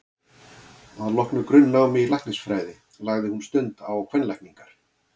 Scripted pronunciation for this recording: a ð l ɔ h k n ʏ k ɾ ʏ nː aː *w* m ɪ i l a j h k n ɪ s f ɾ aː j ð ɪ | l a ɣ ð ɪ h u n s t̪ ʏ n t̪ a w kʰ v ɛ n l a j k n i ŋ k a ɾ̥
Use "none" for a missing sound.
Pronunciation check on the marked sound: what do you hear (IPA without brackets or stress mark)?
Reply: w